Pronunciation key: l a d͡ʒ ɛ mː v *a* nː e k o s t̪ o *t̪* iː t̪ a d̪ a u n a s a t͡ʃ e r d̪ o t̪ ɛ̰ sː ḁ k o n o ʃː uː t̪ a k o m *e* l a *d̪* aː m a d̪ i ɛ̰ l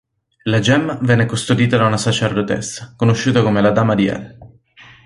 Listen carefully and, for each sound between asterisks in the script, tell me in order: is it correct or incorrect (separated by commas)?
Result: incorrect, incorrect, correct, correct